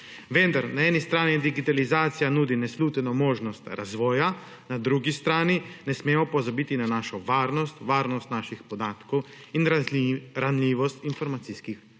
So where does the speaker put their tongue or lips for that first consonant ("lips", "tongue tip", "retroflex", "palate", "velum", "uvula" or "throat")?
lips